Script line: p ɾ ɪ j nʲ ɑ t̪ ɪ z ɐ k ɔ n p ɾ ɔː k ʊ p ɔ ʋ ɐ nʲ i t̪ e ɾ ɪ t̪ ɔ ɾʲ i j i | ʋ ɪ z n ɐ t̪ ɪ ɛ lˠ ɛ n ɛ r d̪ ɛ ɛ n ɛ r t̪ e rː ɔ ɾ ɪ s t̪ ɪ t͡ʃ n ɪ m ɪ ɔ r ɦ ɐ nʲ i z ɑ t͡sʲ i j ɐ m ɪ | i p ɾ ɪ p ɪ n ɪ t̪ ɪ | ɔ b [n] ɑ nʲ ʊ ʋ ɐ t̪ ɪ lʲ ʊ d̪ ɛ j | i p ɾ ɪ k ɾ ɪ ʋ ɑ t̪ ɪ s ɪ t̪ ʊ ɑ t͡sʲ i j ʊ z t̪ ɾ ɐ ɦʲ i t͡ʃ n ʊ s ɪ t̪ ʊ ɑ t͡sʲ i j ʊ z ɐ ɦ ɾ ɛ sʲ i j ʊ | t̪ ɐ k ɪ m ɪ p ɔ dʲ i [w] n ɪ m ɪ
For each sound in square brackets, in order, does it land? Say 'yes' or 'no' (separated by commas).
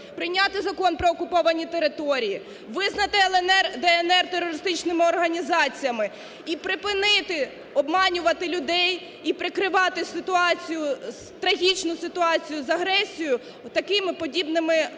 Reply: no, no